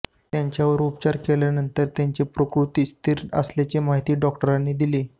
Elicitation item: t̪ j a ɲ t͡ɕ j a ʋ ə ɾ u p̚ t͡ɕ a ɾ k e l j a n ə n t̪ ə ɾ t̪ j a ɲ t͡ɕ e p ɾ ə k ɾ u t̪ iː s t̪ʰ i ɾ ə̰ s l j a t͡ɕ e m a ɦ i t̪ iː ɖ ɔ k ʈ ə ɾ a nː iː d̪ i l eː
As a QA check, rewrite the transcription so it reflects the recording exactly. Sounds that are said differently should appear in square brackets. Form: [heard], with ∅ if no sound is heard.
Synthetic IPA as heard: t̪ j a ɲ t͡ɕ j a ʋ ə ɾ u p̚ t͡ɕ a ɾ k e l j a n ə n t̪ ə ɾ t̪ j a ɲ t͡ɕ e p ɾ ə k ɾ u t̪ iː s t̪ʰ i ɾ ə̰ s l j a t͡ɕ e m a ɦ i t̪ iː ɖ ɔ k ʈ ə ɾ a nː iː d̪ i l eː